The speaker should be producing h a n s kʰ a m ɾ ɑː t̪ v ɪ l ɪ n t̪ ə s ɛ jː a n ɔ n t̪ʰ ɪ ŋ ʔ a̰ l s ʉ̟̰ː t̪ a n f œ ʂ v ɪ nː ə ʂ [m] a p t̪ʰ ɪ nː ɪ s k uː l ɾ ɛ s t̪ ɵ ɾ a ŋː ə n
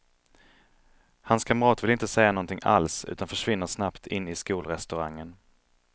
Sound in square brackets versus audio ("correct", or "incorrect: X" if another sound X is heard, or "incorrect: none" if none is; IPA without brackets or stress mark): incorrect: n